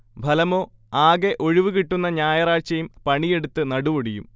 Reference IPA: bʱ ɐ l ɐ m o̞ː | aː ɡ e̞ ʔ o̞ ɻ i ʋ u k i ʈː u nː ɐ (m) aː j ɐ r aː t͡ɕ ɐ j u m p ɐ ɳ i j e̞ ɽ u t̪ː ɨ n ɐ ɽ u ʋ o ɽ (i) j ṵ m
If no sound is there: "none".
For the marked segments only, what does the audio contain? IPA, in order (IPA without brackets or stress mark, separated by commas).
ɲ, i